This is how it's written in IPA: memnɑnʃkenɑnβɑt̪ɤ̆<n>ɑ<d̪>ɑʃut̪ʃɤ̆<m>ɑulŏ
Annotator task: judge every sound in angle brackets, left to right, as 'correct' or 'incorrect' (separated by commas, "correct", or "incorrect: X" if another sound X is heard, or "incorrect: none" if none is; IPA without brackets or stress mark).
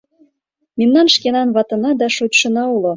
correct, correct, incorrect: n